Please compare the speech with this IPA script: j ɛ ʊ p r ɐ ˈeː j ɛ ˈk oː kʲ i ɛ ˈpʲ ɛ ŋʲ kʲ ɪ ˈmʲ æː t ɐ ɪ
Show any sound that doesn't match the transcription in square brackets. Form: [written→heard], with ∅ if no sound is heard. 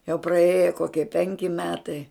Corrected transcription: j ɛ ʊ p r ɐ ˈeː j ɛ ˈk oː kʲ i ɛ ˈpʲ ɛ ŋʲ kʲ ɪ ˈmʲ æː t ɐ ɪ